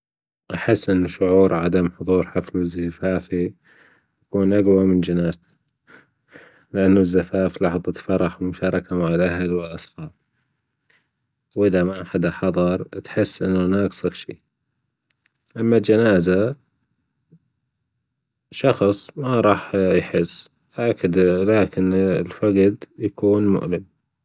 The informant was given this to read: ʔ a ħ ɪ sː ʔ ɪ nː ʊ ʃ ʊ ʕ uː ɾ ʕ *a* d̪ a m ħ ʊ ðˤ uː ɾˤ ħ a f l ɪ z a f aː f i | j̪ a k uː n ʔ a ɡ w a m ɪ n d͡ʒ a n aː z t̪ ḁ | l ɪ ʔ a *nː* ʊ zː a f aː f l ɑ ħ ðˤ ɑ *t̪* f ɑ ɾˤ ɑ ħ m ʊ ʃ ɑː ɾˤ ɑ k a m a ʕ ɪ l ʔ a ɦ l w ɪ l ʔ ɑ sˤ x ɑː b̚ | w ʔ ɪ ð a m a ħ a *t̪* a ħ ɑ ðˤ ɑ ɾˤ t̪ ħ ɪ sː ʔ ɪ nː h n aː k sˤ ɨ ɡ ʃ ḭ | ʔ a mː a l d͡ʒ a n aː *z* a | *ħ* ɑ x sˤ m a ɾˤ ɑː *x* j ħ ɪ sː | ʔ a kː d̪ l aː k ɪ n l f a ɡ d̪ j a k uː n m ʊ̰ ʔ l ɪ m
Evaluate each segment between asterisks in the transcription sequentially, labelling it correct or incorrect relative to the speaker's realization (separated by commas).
correct, correct, correct, incorrect, correct, incorrect, incorrect